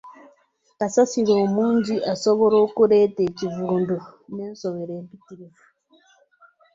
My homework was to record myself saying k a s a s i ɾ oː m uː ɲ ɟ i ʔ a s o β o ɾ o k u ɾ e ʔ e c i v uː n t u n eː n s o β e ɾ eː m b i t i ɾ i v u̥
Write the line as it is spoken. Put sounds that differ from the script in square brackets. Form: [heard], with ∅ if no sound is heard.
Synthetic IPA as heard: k a s a s i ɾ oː m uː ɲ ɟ i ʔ a s o β o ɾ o k u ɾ e [t] e c i v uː n [d] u n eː n s o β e ɾ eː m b i t i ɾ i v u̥